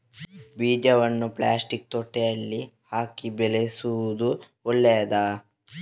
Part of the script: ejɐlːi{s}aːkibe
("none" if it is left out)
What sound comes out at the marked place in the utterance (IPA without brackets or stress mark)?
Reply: h